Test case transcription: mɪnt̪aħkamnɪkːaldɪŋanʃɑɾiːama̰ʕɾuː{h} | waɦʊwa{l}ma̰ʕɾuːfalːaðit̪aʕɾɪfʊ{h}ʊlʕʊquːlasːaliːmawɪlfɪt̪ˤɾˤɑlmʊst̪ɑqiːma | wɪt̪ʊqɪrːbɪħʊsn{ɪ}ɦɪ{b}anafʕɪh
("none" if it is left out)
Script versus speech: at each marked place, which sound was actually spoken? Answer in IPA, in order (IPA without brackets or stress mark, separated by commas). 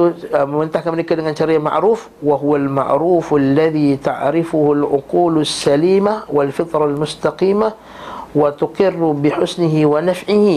f, l, h, ɪ, w